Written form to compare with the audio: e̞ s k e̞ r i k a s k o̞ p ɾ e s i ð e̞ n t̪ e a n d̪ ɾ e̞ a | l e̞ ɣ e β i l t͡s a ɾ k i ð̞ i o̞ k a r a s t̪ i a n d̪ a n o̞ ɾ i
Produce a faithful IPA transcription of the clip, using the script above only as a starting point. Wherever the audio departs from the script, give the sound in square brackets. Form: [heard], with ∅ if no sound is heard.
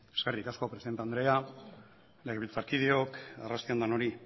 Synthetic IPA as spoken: e̞ s k e̞ r i k a s k o̞ p ɾ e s i ð e̞ n t̪ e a n d̪ ɾ e̞ a | l e̞ ɣ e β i l t͡s a ɾ k i ð̞ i o̞ k a r a s t̪ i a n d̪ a n o̞ ɾ i